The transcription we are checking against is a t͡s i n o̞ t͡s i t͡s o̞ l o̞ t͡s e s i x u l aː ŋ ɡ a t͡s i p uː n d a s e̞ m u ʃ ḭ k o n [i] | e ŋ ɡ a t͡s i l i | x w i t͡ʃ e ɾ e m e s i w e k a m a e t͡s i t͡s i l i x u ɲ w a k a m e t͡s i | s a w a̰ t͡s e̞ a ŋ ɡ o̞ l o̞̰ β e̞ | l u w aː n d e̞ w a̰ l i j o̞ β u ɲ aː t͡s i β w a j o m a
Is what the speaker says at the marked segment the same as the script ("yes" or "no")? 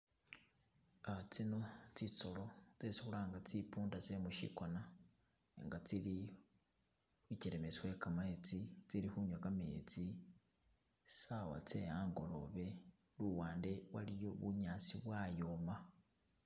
no